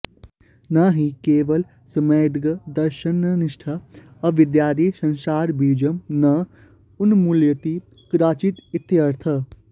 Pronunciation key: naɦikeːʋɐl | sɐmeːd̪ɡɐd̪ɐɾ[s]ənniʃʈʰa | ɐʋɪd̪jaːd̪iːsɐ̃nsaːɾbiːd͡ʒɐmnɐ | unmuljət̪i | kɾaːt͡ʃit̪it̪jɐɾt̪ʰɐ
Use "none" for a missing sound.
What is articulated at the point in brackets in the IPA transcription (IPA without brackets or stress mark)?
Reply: ʃ